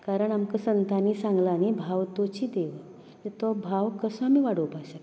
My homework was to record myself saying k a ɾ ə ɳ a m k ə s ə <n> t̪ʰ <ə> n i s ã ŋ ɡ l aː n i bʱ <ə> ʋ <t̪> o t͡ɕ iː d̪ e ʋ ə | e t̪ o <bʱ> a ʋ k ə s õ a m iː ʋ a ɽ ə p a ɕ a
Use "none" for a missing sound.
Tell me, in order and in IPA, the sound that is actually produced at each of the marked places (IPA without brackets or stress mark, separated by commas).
n, a, a, t̪, bʱ